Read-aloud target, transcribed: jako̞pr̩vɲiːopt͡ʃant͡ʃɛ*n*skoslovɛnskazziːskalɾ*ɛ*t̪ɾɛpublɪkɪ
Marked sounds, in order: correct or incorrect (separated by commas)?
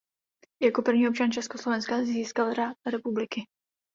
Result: incorrect, incorrect